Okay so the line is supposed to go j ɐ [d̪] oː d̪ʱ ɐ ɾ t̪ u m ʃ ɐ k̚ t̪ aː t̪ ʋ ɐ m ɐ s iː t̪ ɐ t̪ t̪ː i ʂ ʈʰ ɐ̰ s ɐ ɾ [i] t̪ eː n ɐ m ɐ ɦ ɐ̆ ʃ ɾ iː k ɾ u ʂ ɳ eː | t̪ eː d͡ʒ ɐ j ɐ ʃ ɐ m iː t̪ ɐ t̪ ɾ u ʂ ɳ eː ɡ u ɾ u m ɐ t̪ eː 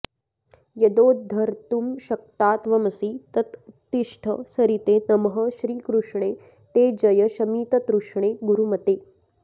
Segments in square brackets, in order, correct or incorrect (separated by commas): correct, correct